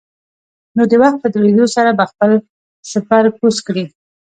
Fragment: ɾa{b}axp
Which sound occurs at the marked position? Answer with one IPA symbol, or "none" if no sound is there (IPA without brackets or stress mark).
b